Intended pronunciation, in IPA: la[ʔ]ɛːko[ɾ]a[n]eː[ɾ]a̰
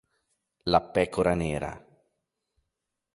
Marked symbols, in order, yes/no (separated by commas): no, yes, yes, yes